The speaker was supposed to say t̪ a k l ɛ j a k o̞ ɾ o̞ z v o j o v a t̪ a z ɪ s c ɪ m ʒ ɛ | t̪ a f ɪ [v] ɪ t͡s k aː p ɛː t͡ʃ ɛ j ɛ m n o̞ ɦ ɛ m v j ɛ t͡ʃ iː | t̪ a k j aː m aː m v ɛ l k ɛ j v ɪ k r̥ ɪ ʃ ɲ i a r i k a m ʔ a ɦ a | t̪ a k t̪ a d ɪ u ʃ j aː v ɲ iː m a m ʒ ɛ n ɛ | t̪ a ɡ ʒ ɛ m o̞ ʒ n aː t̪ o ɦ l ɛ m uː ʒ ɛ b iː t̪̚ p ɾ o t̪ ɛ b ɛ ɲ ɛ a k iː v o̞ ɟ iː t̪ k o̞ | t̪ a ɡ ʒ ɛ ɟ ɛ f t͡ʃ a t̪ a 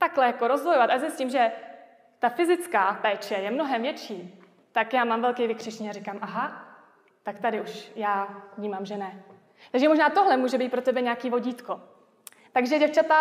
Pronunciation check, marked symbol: incorrect: z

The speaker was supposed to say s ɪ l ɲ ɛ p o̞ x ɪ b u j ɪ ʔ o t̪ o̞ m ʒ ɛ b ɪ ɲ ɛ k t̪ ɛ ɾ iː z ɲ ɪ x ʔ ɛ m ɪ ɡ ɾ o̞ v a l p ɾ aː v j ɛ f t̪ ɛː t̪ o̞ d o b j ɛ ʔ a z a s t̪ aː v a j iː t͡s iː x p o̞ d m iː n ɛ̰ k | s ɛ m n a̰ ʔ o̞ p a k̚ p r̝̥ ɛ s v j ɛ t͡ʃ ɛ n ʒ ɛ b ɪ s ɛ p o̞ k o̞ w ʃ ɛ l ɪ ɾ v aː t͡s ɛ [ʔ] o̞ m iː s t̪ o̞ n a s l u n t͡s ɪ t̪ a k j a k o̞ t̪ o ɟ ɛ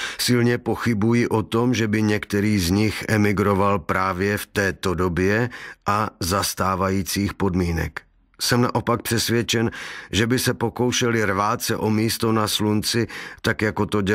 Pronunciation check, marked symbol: correct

